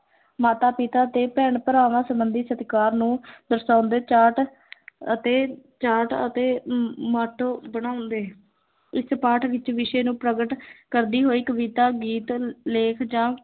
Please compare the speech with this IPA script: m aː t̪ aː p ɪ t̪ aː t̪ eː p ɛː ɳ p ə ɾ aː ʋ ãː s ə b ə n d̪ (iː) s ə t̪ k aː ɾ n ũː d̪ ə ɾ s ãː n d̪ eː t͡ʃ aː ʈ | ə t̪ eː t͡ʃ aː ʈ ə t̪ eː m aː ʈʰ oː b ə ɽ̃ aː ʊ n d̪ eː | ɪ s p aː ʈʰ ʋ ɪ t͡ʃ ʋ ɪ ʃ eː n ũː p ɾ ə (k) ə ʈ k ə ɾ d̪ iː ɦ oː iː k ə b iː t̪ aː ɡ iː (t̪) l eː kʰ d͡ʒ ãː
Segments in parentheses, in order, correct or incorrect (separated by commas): correct, incorrect, correct